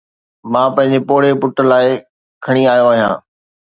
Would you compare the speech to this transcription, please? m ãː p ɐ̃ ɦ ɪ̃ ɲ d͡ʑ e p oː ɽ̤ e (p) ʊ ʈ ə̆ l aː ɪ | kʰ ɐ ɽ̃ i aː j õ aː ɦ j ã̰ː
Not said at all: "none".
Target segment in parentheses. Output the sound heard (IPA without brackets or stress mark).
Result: p